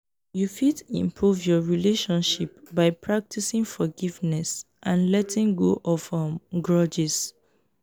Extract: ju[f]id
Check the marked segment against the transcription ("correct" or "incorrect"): correct